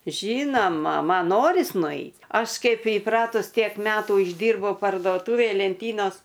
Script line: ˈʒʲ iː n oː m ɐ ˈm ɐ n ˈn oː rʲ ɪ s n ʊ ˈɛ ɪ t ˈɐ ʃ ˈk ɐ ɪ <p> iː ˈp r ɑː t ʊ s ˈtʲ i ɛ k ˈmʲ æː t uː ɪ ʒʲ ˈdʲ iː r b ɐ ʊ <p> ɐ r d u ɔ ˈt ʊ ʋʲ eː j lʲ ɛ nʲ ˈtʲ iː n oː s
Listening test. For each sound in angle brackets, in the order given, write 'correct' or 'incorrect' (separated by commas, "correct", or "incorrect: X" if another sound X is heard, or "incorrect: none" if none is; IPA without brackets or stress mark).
correct, correct